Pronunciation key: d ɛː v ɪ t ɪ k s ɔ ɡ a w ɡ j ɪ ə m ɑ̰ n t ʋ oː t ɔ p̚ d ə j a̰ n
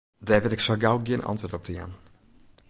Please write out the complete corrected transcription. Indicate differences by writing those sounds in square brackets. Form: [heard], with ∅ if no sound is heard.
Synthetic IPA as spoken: d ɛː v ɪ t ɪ k s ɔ ɡ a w ɡ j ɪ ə [n] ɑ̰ n t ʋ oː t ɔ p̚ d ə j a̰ n